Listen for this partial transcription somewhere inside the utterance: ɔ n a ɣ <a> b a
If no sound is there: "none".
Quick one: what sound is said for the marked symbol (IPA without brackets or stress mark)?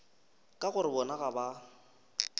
a